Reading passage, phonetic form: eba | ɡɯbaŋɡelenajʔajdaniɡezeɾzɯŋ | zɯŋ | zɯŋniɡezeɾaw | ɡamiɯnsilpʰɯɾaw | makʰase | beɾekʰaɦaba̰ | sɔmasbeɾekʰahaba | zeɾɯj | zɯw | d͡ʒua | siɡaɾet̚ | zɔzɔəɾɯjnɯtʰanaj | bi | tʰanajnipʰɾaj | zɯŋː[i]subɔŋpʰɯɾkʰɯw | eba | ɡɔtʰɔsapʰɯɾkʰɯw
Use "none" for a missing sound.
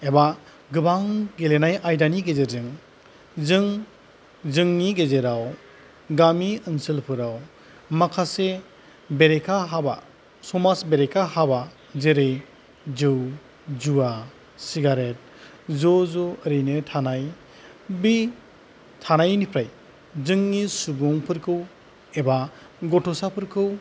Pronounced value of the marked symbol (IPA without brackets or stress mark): i